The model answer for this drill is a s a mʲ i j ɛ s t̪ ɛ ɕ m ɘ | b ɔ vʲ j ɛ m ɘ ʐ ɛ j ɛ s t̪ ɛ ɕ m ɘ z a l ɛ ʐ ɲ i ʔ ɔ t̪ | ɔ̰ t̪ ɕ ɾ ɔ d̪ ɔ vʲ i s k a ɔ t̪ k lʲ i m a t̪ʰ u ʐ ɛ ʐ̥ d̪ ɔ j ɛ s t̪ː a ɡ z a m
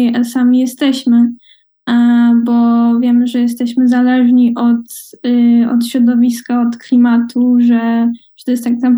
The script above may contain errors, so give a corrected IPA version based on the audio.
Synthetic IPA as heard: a s a mʲ i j ɛ s t̪ ɛ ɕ m ɘ | b ɔ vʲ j ɛ m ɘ ʐ ɛ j ɛ s t̪ ɛ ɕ m ɘ z a l ɛ ʐ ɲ i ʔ ɔ t̪ | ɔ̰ t̪ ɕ ɾ ɔ d̪ ɔ vʲ i s k a ɔ t̪ k lʲ i m a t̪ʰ u ʐ ɛ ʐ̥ t̪ ɔ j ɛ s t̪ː a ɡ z a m